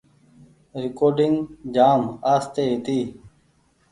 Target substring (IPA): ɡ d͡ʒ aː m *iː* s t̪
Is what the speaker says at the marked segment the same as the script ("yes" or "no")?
no